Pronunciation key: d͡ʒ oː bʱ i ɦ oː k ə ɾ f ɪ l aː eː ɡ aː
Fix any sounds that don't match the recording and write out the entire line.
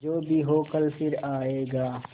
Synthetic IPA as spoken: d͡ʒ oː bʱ i ɦ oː k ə l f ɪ ɾ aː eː ɡ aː